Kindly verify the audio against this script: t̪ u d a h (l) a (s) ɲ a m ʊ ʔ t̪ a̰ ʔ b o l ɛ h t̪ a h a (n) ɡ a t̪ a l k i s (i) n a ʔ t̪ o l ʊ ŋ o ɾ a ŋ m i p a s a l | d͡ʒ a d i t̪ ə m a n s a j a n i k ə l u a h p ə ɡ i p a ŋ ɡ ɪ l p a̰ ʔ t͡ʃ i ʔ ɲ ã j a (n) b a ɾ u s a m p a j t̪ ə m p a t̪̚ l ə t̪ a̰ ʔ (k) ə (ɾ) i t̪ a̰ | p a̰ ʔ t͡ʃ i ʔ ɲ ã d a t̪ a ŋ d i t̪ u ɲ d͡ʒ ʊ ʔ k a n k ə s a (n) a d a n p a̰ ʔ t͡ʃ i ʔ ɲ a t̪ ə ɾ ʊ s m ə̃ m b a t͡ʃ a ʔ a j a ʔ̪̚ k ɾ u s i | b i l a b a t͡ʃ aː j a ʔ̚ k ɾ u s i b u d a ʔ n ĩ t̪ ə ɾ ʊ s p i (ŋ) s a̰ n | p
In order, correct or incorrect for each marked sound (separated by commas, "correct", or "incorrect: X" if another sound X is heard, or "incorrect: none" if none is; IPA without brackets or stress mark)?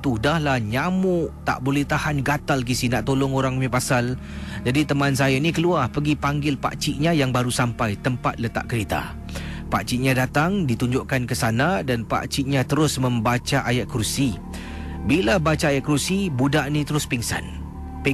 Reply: correct, incorrect: h, correct, correct, incorrect: ŋ, correct, correct, correct, correct